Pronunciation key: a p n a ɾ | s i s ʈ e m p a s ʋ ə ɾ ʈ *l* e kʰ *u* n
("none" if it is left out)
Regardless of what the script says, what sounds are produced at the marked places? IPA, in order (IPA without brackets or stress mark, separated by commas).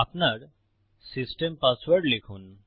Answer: l, uː